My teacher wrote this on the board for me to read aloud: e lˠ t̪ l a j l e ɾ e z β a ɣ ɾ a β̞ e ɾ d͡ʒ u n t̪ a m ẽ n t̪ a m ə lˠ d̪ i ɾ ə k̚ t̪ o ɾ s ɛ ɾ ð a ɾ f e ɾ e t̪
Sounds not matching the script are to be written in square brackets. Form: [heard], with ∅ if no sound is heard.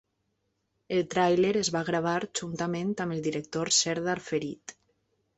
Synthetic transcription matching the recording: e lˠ t̪ [ɾ] a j l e ɾ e z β a ɣ ɾ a β̞ [a] ɾ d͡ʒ u n t̪ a m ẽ n t̪ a m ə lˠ d̪ i ɾ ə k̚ t̪ o ɾ s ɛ ɾ ð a ɾ f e ɾ [i] t̪